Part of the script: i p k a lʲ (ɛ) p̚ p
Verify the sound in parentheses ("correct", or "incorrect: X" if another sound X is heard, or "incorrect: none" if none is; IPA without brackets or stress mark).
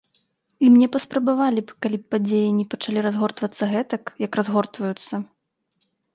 incorrect: i